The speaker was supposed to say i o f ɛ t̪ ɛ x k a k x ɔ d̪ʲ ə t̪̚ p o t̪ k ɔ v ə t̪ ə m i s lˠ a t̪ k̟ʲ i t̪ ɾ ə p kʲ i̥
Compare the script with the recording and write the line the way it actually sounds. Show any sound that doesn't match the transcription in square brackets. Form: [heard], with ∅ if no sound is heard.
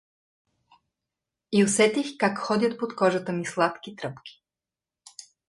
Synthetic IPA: i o [s] ɛ t̪ [i] x k a k x ɔ d̪ʲ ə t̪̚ p o t̪ k ɔ [ʒ] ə t̪ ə m i s lˠ a t̪ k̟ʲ i t̪ ɾ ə p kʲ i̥